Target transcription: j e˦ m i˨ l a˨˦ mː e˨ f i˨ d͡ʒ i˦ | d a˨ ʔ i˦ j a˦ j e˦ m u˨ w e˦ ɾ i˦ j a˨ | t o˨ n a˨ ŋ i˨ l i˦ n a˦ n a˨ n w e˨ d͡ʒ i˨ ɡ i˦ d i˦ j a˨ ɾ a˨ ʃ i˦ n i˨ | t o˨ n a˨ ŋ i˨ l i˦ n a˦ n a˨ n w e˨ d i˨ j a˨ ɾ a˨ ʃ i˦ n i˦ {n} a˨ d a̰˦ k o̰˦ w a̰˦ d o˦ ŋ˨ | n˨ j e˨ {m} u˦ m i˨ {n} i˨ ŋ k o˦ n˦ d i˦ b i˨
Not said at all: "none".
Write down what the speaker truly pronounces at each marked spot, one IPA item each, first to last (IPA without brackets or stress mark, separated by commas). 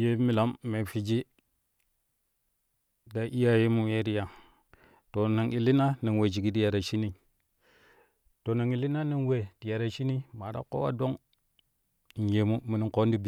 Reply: m, m, n